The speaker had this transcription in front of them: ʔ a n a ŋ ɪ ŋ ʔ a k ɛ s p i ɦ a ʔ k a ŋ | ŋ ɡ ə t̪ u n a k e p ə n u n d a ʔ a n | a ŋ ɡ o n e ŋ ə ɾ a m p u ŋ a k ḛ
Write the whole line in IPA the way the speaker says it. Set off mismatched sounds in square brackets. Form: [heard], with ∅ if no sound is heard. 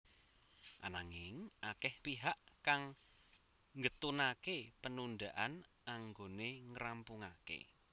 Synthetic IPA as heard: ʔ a n a ŋ ɪ ŋ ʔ a k ɛ [h] p i ɦ a ʔ k a ŋ | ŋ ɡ ə t̪ u n a k e p ə n u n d a ʔ a n | a ŋ ɡ o n e ŋ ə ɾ a m p u ŋ a k ḛ